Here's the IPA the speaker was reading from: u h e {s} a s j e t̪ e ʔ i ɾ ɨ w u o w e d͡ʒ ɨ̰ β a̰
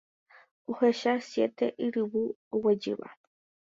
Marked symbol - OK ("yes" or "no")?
no